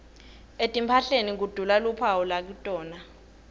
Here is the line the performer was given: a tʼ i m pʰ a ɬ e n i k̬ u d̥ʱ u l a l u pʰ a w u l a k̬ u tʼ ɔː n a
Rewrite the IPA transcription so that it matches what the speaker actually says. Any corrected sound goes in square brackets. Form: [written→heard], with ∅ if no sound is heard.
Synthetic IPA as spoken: [a→e] tʼ i m pʰ a ɬ e n i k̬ u d̥ʱ u l a l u pʰ a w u l a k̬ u tʼ ɔː n a